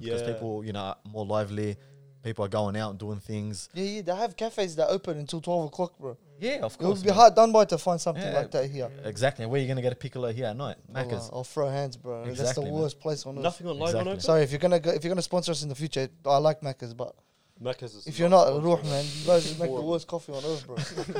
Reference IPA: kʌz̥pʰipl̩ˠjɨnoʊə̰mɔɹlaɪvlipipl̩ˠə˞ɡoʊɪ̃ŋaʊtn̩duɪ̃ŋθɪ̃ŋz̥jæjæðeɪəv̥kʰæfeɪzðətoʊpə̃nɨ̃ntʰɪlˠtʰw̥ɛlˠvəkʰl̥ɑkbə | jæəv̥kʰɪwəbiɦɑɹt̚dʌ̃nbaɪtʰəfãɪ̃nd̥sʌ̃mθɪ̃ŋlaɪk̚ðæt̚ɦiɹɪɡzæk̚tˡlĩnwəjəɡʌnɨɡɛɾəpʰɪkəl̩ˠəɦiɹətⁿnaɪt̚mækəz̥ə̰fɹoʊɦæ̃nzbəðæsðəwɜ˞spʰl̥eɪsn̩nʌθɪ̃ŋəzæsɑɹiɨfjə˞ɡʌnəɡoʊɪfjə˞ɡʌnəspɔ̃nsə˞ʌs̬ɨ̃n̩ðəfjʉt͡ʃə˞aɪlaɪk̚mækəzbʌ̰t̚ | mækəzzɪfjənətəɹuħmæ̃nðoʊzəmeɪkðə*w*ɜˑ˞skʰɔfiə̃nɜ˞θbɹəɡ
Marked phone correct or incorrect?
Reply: correct